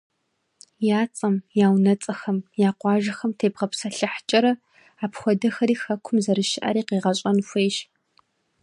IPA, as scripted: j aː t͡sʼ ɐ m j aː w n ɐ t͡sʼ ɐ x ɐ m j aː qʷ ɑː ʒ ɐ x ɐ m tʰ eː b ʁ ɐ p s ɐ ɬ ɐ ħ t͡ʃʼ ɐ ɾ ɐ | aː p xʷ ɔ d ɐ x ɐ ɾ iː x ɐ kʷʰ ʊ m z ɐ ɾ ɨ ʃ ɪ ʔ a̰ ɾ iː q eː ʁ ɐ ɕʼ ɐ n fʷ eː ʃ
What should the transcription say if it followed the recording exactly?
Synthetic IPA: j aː t͡sʼ ɐ m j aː w n ɐ t͡sʼ ɐ x ɐ m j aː qʷ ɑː ʒ ɐ x ɐ m tʰ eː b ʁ ɐ p s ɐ ɬ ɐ ħ t͡ʃʼ ɐ ɾ ɐ | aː p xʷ ɔ d ɐ x ɐ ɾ iː x ɐ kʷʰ ʊ m z ɐ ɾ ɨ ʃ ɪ ʔ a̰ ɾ iː q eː ʁ ɐ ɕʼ ɐ n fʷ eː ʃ

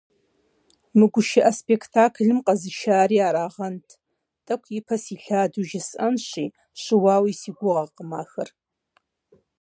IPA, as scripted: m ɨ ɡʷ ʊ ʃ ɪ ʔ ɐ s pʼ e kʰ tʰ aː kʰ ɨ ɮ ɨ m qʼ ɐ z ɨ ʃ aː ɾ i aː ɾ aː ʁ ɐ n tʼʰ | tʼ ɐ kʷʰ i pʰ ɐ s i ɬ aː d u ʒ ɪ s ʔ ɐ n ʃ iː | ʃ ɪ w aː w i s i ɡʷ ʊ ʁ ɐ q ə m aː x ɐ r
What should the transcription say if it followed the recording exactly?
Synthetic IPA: m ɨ ɡʷ ʊ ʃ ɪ ʔ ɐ s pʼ e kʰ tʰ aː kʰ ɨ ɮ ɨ m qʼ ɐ z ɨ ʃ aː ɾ i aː ɾ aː ʁ ɐ n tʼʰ | tʼ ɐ kʷʰ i pʰ ɐ s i ɬ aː d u ʒ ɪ s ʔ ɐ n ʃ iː | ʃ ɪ w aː w i s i ɡʷ ʊ ʁ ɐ q ə m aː x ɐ r

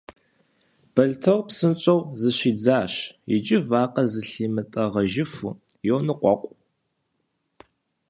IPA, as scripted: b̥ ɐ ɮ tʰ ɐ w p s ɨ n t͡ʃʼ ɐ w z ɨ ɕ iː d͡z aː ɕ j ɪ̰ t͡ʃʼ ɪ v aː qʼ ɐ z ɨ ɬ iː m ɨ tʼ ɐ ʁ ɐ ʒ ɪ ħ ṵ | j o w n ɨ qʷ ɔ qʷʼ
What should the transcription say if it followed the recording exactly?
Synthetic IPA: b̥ ɐ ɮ tʰ ɐ w p s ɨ n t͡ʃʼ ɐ w z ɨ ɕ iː d͡z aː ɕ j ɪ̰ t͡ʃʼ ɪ v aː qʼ ɐ z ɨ ɬ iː m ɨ tʼ ɐ ʁ ɐ ʒ ɪ f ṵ | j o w n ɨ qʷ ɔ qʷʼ

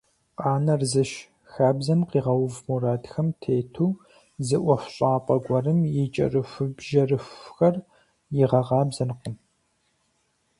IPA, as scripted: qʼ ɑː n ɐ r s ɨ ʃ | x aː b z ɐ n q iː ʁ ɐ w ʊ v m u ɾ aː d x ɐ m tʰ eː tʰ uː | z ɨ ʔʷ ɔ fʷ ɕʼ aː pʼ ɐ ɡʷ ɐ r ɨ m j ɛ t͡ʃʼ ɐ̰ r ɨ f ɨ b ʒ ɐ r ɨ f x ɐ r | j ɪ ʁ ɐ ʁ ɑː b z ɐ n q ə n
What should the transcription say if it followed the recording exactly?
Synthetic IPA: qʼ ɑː n ɐ r z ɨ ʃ | x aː b z ɐ n q iː ʁ ɐ w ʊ v m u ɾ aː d x ɐ m tʰ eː tʰ uː | z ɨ ʔʷ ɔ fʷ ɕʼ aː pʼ ɐ ɡʷ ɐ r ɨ m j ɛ t͡ʃʼ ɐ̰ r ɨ f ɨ b ʒ ɐ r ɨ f x ɐ r | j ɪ ʁ ɐ ʁ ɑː b z ɐ n q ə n

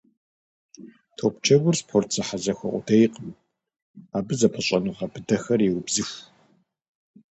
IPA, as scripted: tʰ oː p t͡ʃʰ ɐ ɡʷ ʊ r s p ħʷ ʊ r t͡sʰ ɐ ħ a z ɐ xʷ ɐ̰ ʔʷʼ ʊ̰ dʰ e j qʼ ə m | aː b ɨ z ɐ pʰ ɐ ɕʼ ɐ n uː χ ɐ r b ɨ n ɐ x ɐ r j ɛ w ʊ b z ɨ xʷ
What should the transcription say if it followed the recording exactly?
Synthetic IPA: tʰ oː p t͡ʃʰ ɐ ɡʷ ʊ r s p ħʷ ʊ r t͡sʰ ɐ ħ a z ɐ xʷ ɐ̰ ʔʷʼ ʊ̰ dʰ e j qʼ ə m | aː b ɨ z ɐ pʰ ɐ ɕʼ ɐ n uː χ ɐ b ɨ d ɐ x ɐ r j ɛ w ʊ b z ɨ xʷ

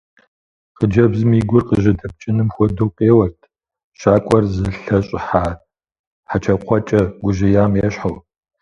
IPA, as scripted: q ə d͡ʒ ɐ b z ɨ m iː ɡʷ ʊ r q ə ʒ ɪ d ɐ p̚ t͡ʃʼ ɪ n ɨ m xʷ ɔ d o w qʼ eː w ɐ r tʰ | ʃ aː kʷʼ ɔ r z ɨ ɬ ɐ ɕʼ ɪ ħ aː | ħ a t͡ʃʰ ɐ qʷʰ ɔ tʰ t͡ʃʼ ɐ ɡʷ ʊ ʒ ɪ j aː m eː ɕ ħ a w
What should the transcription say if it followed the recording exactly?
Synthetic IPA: q ə d͡ʒ ɐ b z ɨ m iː ɡʷ ʊ r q ə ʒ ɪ d ɐ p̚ t͡ʃʼ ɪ n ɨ m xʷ ɔ d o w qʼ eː w ɐ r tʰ | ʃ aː kʷʼ ɔ r z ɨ ɬ ɐ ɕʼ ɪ ħ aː | ħ a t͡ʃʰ ɐ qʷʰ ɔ t͡ʃʼ ɐ ɡʷ ʊ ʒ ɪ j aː m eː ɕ ħ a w

